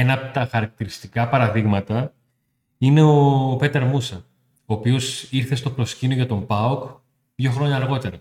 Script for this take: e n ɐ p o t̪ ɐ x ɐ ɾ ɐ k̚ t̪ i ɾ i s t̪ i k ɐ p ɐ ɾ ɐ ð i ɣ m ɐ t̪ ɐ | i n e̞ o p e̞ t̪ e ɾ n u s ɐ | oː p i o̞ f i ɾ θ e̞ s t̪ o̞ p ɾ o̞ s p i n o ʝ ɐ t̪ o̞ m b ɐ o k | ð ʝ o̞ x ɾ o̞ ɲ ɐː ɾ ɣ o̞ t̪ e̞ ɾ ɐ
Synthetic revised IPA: e n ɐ p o t̪ ɐ x ɐ ɾ ɐ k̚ t̪ i ɾ i s t̪ i k ɐ p ɐ ɾ ɐ ð i ɣ m ɐ t̪ ɐ | i n e̞ o p e̞ t̪ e ɾ m u s ɐ | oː p i o̞ s i ɾ θ e̞ s t̪ o̞ p ɾ o̞ s c i n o ʝ ɐ t̪ o̞ m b ɐ o k | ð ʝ o̞ x ɾ o̞ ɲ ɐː ɾ ɣ o̞ t̪ e̞ ɾ ɐ